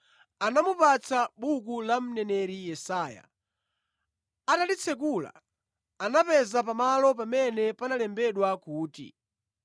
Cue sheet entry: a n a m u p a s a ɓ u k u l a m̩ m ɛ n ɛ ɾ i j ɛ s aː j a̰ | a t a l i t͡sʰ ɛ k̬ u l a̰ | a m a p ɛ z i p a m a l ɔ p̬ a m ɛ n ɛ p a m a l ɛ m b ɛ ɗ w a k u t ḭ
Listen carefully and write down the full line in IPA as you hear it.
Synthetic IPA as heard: a n a m u p a t͡s a ɓ u k u l a m̩ n ɛ n ɛ ɾ i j ɛ s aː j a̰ | a t a l i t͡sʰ ɛ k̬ u l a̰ | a n a p ɛ z a p a m a l ɔ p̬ a m ɛ n ɛ p a n a l ɛ m b ɛ ɗ w a k uː t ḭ